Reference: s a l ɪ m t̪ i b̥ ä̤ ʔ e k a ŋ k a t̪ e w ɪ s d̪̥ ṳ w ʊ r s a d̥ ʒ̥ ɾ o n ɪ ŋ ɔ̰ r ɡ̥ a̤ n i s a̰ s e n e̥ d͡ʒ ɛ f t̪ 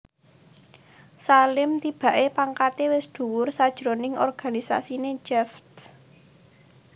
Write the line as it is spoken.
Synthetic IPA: s a l ɪ m t̪ i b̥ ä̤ ʔ e p a ŋ k a t̪ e w ɪ s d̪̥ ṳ w ʊ r s a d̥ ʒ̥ ɾ o n ɪ ŋ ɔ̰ r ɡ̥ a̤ n i s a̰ s i n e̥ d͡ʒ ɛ f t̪